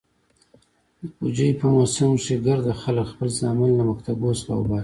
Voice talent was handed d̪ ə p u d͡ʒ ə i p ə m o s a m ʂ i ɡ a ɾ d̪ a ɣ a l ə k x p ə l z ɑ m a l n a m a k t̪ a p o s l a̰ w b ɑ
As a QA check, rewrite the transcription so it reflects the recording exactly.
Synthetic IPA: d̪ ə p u d͡ʒ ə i p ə m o s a m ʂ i ɡ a ɾ d̪ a x a l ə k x p ə l z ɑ m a l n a m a k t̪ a b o s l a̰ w b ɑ